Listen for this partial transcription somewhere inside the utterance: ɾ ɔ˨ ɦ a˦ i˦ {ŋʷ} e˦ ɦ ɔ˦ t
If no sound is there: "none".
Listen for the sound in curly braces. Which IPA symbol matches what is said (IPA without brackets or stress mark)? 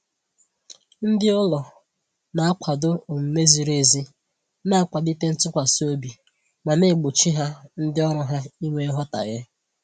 ŋʷ